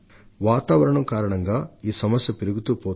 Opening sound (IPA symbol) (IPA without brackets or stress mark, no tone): ʋ